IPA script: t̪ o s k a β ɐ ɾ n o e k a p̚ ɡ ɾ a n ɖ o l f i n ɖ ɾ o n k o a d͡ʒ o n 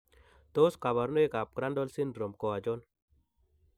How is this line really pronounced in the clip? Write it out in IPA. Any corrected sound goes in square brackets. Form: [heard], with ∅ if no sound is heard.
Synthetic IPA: t̪ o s k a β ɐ ɾ n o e k a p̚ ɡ ɾ a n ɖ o l [s] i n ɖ ɾ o [m] k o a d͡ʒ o n